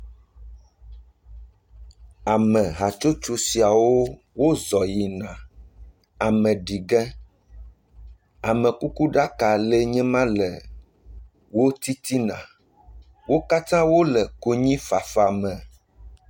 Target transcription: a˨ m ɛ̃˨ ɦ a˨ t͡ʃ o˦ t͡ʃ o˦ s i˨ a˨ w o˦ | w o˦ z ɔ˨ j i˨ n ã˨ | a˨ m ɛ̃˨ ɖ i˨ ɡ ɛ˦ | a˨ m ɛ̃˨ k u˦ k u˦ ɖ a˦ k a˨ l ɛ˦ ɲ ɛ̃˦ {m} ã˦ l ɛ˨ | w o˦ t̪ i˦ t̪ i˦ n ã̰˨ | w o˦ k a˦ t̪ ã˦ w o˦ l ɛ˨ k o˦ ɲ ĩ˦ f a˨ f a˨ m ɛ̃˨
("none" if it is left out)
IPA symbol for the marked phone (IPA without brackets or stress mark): m